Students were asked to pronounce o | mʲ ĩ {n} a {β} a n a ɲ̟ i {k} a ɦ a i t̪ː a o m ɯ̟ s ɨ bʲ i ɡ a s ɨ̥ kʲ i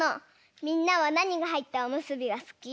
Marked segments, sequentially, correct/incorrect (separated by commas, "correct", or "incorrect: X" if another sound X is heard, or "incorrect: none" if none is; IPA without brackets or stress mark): incorrect: nː, correct, incorrect: ɡ